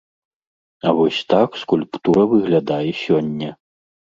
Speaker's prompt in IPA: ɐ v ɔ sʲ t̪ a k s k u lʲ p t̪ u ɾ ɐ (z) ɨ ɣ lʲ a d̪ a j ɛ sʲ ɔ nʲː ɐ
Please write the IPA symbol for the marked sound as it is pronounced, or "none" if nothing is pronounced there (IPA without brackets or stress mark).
v